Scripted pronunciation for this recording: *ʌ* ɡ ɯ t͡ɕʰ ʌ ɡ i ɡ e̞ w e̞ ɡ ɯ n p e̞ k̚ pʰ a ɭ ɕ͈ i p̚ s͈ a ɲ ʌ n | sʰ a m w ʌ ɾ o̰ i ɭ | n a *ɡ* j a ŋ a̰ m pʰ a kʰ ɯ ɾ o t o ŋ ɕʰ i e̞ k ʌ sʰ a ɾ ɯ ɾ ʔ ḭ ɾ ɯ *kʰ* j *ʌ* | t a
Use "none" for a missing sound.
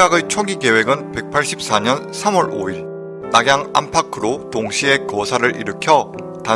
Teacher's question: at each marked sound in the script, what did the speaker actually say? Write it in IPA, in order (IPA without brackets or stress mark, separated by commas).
a, ɡ, kʰ, ʌ